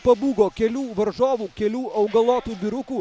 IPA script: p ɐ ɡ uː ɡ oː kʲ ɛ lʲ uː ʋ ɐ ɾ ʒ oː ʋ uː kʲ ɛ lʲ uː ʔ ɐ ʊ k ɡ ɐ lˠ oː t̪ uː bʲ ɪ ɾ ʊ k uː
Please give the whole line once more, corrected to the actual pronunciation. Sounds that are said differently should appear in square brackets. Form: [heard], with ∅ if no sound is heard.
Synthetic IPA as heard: p ɐ [b] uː ɡ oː kʲ ɛ lʲ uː ʋ ɐ ɾ ʒ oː ʋ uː kʲ ɛ lʲ uː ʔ ɐ ʊ [∅] ɡ ɐ lˠ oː t̪ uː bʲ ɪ ɾ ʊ k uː